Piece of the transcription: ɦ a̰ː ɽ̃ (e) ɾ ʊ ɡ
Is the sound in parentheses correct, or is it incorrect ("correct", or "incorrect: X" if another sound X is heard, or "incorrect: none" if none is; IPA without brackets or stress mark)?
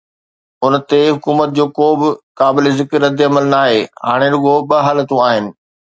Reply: correct